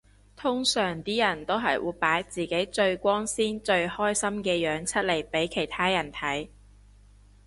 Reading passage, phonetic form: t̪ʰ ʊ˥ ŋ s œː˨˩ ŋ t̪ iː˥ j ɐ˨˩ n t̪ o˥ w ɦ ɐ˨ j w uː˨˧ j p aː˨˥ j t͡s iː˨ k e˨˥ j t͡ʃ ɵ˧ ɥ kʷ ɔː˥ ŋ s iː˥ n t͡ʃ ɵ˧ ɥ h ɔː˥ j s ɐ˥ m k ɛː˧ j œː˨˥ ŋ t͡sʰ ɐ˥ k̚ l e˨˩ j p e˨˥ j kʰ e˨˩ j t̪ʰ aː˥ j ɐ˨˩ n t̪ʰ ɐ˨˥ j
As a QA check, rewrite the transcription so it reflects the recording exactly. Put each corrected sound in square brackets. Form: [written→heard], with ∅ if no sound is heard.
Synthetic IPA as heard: t̪ʰ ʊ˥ ŋ s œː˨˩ ŋ t̪ iː˥ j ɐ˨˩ n t̪ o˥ w ɦ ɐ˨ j w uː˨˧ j p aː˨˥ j t͡s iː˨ k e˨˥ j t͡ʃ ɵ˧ ɥ kʷ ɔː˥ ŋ s iː˥ n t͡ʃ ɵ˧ ɥ h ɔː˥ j s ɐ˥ m k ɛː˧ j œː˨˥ ŋ t͡sʰ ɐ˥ [k̚→t̚] l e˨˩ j p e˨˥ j kʰ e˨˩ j t̪ʰ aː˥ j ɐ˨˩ n t̪ʰ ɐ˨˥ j